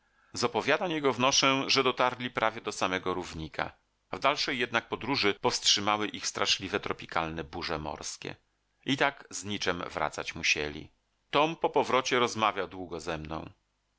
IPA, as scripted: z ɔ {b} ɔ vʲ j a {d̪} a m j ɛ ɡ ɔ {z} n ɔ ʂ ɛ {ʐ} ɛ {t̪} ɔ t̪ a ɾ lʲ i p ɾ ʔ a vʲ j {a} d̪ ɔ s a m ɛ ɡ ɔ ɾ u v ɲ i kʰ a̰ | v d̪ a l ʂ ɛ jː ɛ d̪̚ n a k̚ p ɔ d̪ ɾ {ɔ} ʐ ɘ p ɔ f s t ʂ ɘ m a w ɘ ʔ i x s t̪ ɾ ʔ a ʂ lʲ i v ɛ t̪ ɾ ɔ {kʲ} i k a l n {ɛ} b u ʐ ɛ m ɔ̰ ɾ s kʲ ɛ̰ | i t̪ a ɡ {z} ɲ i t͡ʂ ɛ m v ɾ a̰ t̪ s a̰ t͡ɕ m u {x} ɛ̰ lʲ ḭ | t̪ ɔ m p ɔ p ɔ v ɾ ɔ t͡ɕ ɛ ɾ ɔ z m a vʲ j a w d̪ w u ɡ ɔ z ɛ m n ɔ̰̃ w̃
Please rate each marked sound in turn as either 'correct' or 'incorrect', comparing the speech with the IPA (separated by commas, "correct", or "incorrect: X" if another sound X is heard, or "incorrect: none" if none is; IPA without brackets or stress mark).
incorrect: p, correct, incorrect: v, correct, incorrect: d̪, incorrect: ɛ, incorrect: u, incorrect: pʲ, correct, correct, incorrect: ɕ